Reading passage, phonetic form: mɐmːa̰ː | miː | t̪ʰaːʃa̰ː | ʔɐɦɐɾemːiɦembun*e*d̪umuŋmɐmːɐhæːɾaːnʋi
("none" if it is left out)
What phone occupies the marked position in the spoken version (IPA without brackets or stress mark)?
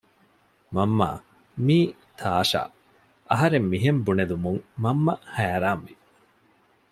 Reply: e